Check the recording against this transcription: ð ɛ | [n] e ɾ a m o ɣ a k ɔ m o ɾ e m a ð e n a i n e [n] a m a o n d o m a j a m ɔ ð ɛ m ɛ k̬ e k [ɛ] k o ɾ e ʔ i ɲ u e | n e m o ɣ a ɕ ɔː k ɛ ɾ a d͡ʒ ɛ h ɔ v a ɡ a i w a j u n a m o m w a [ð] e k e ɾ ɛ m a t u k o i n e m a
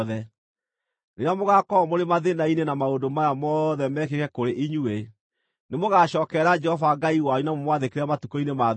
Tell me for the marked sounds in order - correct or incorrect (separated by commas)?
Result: correct, correct, correct, correct